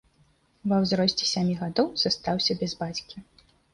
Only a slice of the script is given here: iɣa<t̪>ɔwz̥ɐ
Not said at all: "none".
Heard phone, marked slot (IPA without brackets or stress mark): d̪